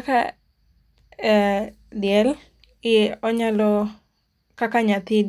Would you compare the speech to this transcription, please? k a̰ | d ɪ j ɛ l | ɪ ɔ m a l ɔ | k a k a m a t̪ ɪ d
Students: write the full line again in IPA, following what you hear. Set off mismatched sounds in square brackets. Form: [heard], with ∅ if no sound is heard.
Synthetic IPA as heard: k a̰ | d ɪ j ɛ l | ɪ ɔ [ɲ] a l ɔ | k a k a [ɲ] a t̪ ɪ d